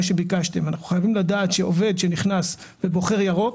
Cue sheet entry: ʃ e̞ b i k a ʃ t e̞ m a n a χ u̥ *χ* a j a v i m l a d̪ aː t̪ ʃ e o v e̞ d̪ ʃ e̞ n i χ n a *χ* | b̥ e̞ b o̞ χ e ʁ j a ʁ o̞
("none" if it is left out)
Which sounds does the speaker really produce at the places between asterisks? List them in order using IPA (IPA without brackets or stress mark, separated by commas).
χ, s